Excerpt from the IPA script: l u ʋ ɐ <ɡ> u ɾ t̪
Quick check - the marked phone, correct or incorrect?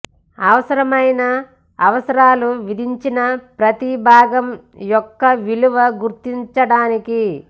correct